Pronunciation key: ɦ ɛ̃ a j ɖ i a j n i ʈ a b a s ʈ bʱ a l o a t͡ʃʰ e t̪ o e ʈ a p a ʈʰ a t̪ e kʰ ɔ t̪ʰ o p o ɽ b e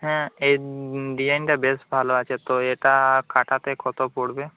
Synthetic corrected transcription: ɦ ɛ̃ e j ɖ i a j n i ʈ a b e s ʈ bʱ a l o a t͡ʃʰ e t̪ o e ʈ a k a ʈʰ a t̪ e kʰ ɔ t̪ o p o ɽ b e